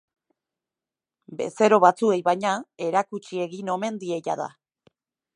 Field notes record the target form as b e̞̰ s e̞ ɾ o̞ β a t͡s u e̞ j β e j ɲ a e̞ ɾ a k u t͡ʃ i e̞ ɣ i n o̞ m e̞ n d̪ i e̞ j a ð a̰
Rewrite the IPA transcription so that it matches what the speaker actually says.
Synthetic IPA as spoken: b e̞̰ s e̞ ɾ o̞ β a t͡s u e̞ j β a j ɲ a e̞ ɾ a k u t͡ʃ i e̞ ɣ i n o̞ m e̞ n d̪ i e̞ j a ð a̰